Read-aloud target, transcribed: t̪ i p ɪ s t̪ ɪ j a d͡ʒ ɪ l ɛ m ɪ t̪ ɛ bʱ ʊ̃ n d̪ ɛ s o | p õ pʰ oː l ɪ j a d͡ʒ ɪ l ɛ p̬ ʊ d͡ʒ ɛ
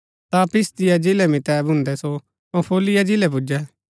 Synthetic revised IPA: t̪ a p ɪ s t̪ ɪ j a d͡ʒ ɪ l ɛ m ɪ t̪ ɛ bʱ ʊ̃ n d̪ ɛ s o | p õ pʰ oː l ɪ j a d͡ʒ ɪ l ɛ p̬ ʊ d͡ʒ ɛ